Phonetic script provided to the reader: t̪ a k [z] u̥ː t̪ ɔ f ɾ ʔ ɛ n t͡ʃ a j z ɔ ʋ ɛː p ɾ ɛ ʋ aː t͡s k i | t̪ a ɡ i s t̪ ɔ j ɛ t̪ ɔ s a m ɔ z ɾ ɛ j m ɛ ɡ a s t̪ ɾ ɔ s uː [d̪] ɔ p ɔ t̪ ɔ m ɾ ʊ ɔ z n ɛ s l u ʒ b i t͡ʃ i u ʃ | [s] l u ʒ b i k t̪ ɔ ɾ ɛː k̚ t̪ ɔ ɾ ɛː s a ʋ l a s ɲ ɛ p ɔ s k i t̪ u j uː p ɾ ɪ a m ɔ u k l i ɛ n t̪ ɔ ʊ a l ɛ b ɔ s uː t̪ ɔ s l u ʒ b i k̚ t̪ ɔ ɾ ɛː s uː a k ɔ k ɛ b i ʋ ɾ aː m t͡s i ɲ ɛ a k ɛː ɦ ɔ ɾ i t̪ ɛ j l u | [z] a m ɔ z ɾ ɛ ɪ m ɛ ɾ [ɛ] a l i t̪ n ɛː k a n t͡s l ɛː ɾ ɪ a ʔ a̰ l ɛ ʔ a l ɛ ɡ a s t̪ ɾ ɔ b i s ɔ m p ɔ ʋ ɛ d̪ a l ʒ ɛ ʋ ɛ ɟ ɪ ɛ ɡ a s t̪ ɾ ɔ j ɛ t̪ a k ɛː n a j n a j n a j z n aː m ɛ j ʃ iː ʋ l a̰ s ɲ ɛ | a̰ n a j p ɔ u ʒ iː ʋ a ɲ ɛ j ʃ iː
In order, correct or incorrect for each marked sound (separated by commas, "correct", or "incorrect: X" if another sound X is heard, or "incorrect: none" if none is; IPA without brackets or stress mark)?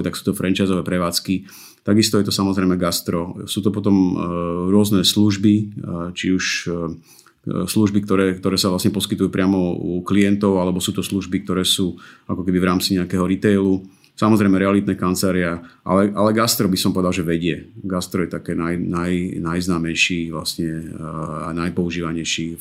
incorrect: s, incorrect: t̪, correct, incorrect: s, correct